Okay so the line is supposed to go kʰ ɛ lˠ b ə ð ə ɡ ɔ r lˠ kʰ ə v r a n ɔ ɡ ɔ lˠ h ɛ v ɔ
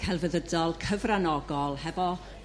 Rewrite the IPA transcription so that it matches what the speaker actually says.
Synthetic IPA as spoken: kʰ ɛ lˠ v ə ð ə d ɔ lˠ kʰ ə v r a n ɔ ɡ ɔ lˠ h ɛ v ɔ